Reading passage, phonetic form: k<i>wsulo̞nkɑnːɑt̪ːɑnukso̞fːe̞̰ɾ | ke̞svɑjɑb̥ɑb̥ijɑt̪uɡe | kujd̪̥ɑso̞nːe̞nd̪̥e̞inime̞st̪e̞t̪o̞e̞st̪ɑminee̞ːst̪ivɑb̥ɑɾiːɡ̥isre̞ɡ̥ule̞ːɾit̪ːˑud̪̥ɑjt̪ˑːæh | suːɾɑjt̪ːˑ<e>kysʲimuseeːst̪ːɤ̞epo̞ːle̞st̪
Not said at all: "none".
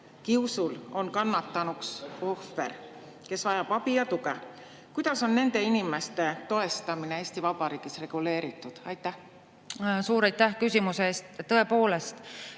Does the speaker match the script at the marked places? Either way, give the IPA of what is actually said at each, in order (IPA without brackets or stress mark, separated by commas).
i, æ